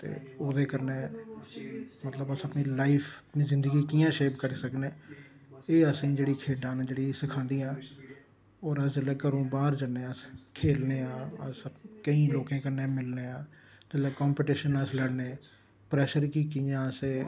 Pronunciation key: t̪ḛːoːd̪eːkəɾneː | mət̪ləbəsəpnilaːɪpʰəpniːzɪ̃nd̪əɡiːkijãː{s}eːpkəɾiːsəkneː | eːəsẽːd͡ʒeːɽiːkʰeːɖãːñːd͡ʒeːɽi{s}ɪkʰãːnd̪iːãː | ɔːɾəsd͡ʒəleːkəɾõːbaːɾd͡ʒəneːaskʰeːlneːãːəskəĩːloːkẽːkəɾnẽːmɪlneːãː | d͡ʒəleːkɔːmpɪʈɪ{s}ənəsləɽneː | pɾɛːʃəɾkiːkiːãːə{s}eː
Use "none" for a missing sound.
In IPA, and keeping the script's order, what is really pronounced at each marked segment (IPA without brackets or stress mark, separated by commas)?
ʃ, s, ʃ, s